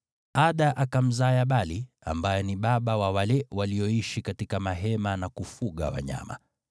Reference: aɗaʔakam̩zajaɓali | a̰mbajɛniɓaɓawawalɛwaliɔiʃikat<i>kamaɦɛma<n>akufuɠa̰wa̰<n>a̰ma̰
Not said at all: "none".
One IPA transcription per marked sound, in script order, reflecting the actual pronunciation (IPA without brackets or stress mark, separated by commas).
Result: i, n, ɲ